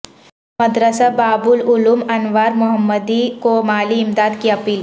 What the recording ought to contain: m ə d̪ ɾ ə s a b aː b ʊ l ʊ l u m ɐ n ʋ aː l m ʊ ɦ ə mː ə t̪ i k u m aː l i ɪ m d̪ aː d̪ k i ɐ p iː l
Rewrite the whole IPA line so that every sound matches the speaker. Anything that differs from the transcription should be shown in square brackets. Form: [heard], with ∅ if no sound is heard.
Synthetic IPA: m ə d̪ ɾ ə s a b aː b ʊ l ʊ l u m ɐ n ʋ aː [ɾ] m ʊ ɦ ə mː ə [d̪] i k [o] m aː l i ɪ m d̪ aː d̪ k i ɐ p iː l